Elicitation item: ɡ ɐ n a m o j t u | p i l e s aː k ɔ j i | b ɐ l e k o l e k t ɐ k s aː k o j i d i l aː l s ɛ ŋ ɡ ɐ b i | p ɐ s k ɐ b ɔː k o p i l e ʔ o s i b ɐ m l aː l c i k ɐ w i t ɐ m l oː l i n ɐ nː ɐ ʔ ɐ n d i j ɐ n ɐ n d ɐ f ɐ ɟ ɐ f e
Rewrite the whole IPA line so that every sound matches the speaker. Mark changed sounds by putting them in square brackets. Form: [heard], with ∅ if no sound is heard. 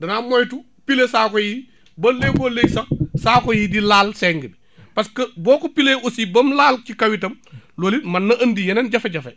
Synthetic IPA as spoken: [d] ɐ n a m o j t u | p i l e s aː k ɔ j i | b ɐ l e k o l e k [s] ɐ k s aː k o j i d i l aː l s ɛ ŋ ɡ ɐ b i | p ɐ s k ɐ b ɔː k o p i l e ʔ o s i b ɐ m l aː l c i k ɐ w i t ɐ m l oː l i [m] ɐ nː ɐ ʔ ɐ n d i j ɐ n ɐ n [ɟ] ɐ f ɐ ɟ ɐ f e